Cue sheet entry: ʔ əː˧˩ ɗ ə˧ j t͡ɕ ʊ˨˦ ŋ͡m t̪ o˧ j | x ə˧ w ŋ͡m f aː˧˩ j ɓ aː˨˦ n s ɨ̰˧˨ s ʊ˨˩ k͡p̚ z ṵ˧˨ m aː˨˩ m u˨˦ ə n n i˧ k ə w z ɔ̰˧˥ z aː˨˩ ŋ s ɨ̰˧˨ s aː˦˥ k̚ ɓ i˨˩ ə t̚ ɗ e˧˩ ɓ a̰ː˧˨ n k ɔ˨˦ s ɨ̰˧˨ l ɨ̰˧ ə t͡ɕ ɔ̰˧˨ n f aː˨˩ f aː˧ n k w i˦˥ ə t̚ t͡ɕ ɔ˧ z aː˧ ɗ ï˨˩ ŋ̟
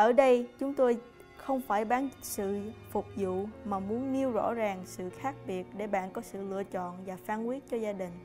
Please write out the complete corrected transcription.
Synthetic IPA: ʔ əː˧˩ ɗ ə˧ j t͡ɕ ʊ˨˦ ŋ͡m t̪ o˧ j | x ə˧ w ŋ͡m f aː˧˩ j ɓ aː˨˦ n s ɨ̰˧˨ f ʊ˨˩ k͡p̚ z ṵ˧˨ m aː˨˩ m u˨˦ ə n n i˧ ə w z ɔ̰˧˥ z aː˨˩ ŋ s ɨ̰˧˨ x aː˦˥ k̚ ɓ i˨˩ ə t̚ ɗ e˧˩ ɓ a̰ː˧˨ n k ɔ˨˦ s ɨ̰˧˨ l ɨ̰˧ ə t͡ɕ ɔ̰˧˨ n v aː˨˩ f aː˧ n k w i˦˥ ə t̚ t͡ɕ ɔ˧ z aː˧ ɗ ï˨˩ ŋ̟